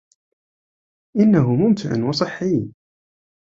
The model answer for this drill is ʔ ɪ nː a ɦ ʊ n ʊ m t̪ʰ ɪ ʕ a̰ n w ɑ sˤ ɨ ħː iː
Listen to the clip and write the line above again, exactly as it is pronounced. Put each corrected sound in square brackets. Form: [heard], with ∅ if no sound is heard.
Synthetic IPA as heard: ʔ ɪ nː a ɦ ʊ [m] ʊ m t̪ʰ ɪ ʕ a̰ n w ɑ sˤ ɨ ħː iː